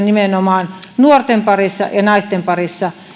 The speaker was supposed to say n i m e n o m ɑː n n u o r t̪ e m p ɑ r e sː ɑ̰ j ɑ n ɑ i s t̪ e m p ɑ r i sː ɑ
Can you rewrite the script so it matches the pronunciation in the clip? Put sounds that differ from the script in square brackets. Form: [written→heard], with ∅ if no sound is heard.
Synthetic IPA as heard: n i m e n o m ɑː n n u o r t̪ e m p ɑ r [e→i] sː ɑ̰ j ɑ n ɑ i s t̪ e m p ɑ r i sː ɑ